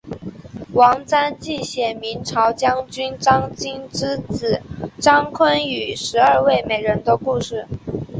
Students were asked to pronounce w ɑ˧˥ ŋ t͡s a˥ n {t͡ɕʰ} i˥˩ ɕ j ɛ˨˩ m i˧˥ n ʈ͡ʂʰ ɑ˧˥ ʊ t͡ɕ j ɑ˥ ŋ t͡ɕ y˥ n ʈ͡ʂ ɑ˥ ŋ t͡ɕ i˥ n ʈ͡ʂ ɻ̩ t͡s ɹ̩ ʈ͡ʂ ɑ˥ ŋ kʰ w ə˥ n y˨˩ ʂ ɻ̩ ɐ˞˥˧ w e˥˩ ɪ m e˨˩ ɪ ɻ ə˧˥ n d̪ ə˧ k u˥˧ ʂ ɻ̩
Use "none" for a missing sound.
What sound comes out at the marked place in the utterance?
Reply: t͡ɕ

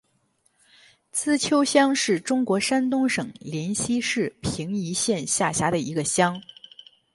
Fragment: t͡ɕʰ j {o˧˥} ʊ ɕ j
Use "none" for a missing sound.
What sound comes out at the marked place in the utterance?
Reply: o˥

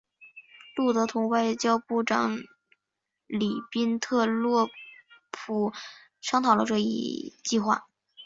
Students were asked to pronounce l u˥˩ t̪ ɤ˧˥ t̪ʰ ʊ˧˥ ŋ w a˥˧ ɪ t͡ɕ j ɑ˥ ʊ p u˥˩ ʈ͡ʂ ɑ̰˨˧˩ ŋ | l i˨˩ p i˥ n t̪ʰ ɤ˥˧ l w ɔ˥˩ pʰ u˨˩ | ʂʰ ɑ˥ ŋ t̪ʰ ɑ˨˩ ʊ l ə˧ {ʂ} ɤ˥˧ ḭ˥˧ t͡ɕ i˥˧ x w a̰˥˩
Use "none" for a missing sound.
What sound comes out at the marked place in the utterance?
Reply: ʈ͡ʂ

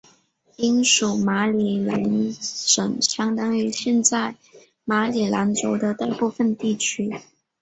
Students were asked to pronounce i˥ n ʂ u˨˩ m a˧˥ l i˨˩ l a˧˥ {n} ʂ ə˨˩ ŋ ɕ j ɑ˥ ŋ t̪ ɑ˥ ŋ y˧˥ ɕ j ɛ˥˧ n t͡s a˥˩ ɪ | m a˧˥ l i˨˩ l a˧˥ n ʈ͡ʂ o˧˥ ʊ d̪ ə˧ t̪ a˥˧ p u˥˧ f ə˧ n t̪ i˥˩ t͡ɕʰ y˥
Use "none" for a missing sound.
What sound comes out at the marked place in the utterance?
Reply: n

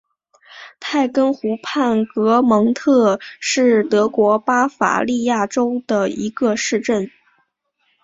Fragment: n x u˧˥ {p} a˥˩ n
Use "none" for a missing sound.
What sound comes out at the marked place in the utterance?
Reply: pʰ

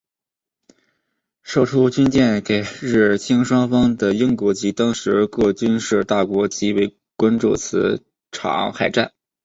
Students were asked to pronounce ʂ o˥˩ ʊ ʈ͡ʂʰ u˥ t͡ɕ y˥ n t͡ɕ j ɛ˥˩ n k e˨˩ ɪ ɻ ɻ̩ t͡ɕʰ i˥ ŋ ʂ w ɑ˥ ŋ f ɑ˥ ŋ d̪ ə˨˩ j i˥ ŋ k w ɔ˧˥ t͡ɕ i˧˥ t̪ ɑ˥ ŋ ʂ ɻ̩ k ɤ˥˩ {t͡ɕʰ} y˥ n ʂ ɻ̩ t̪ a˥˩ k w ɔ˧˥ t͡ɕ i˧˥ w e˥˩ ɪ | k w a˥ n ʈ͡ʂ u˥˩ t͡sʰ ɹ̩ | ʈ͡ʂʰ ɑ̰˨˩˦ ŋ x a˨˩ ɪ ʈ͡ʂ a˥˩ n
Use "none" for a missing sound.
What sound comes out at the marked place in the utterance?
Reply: t͡ɕ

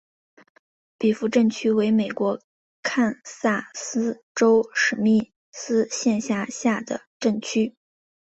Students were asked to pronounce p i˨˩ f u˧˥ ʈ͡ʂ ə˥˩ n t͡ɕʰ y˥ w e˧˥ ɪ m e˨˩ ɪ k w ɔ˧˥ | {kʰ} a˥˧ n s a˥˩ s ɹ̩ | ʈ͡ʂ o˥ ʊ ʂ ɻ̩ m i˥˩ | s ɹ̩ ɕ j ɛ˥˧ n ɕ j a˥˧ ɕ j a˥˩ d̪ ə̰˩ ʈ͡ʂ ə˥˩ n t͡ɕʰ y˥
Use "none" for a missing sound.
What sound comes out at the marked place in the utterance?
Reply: kʰ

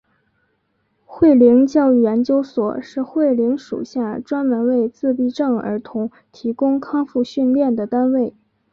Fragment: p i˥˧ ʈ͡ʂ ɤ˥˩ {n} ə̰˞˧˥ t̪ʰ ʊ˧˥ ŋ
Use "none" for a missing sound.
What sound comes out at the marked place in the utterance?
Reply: ŋ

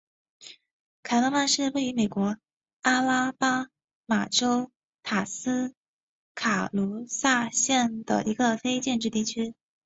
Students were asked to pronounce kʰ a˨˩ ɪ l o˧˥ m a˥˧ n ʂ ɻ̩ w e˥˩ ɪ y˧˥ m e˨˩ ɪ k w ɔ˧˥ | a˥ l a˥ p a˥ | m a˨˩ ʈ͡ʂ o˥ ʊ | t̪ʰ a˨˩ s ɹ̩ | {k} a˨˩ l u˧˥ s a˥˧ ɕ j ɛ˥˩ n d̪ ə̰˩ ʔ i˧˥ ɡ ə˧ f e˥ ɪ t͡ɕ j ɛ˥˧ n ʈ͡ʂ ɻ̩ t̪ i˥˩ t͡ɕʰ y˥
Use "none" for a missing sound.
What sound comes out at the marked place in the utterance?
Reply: kʰ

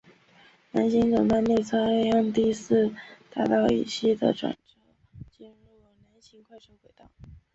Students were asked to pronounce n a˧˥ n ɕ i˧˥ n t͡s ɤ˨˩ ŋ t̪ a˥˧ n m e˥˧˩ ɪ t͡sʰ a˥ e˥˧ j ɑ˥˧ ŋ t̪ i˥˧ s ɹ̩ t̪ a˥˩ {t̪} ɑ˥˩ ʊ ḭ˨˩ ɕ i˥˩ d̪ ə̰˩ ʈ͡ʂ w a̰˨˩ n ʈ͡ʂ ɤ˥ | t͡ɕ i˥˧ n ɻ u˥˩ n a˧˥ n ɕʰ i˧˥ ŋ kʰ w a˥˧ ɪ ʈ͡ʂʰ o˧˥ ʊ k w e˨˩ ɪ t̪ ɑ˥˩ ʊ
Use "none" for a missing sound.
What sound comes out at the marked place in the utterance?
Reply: t̪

